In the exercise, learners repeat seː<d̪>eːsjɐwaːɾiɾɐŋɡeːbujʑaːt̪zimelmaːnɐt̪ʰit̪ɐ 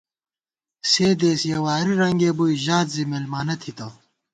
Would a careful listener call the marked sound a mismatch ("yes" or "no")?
no